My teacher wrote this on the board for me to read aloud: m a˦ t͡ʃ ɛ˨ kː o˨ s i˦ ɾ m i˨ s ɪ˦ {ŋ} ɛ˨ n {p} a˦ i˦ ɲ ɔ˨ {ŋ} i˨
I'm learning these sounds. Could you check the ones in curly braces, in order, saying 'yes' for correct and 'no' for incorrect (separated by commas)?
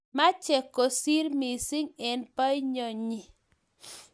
yes, yes, no